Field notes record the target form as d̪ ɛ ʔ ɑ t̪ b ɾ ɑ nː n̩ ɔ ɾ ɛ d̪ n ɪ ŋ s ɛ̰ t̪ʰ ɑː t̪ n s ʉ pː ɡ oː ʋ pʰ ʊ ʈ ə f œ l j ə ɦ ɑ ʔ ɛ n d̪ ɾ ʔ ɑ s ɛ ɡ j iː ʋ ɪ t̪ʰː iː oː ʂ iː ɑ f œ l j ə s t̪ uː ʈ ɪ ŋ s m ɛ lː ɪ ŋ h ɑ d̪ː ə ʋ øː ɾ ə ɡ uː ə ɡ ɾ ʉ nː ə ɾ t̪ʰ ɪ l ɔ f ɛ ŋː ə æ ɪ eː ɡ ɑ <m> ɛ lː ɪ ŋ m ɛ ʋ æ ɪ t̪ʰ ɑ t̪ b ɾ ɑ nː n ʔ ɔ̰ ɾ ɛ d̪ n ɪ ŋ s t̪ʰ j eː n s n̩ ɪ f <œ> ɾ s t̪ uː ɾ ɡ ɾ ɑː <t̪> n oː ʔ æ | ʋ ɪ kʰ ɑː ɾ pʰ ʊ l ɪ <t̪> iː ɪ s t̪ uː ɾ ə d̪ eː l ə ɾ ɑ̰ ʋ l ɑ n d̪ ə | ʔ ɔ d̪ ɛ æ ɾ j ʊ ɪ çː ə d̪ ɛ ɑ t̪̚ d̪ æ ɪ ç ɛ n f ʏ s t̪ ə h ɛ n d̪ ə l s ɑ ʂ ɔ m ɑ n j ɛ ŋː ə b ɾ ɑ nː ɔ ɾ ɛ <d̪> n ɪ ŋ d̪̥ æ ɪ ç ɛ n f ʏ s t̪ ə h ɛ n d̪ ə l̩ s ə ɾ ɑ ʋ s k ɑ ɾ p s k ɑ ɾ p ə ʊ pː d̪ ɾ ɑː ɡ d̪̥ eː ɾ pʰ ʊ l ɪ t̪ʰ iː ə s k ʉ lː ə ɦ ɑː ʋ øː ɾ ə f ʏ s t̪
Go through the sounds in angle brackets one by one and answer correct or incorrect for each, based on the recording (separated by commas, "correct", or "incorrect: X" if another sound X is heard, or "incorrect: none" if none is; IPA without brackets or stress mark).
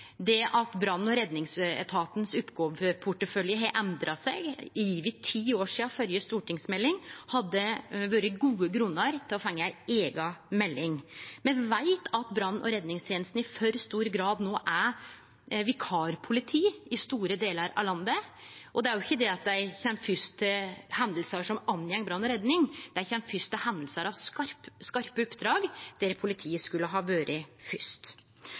correct, correct, incorrect: d̪, incorrect: t̪ʰ, correct